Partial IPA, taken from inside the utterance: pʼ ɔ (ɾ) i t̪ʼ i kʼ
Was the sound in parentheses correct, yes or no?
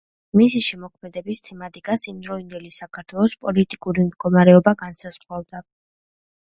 no